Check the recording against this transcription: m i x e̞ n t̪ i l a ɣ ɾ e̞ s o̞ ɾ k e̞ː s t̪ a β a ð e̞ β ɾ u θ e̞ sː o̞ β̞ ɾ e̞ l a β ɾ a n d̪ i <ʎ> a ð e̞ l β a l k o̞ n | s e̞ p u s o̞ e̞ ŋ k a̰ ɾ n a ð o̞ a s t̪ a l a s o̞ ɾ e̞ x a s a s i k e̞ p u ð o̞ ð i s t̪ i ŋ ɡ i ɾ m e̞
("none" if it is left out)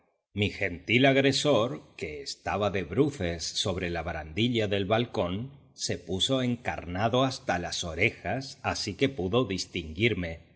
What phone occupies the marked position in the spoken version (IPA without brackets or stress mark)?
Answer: ʎ